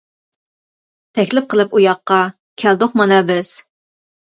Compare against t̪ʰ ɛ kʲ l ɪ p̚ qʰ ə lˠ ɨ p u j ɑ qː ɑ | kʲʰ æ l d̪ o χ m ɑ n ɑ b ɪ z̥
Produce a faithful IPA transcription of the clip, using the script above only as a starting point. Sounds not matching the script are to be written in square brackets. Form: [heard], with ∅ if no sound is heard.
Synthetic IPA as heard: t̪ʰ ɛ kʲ l ɪ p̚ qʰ ə lˠ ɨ p u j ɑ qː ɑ | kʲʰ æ l d̪ o χ m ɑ n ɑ b ɪ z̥